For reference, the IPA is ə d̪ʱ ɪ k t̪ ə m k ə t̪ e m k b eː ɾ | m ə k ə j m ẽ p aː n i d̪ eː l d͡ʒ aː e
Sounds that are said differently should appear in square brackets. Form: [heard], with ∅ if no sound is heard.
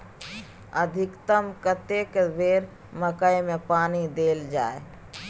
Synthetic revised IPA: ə d̪ʱ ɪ k t̪ ə m k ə t̪ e [∅] k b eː ɾ | m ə k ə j m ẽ p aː n i d̪ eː l d͡ʒ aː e